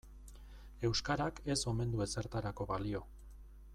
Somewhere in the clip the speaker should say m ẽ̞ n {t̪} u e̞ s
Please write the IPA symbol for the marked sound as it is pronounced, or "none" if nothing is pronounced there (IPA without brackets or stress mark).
d̪